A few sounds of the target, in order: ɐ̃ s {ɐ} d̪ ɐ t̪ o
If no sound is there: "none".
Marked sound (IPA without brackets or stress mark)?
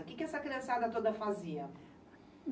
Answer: a